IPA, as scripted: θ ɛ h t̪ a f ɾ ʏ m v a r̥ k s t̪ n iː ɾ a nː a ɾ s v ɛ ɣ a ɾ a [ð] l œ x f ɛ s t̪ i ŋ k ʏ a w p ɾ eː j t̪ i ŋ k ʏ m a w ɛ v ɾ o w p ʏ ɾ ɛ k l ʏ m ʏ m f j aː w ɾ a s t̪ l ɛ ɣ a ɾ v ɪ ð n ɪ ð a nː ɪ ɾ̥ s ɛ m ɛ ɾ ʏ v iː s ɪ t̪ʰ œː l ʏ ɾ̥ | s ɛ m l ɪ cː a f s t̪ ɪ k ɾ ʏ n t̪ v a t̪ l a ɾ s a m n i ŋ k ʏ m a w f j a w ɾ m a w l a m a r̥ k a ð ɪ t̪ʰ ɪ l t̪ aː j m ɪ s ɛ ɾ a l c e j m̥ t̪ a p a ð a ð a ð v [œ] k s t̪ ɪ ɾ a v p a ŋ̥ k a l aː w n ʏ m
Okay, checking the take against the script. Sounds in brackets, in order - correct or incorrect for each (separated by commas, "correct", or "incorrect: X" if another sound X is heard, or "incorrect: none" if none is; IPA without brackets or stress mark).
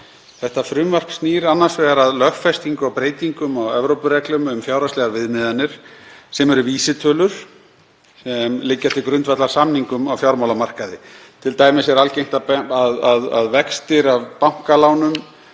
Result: correct, incorrect: ɛ